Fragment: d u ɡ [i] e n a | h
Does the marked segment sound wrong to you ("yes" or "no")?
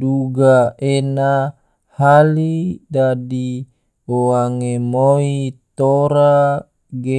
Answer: yes